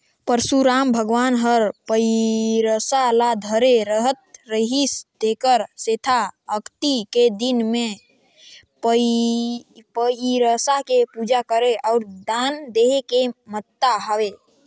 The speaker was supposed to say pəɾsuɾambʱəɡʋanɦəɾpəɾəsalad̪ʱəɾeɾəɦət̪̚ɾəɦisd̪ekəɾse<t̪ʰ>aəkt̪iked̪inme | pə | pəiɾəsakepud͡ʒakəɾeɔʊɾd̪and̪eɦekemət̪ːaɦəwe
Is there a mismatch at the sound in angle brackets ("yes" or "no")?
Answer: no